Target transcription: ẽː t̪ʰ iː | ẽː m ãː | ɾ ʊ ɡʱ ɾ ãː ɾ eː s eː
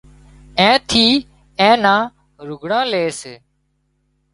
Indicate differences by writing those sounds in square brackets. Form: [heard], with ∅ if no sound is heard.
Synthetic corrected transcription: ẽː t̪ʰ iː | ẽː [n] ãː | ɾ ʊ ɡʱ [ɽ] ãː [l] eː s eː